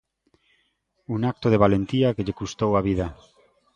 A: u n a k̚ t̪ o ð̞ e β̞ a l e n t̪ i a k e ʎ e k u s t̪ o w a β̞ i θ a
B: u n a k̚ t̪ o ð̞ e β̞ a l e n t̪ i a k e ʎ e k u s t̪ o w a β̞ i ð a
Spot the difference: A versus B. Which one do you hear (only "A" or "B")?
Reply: B